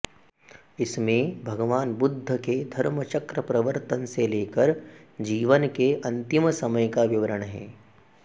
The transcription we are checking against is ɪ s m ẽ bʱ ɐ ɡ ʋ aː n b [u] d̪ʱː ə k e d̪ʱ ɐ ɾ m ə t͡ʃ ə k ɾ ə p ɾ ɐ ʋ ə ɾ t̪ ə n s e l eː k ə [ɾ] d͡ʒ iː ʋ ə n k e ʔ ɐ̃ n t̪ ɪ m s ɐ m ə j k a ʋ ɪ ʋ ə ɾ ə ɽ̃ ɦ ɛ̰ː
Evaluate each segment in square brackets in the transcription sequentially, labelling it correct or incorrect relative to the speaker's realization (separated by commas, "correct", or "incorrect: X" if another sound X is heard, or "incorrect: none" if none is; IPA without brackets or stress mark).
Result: incorrect: ʊ, correct